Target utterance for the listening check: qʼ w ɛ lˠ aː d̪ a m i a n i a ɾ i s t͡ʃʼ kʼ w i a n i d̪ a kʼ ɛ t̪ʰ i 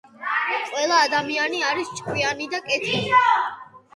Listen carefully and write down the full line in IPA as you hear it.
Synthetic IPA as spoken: qʼ w ɛ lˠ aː d̪ a m i a n i a ɾ i s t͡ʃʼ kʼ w i a n i d̪ a kʼ ɛ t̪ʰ i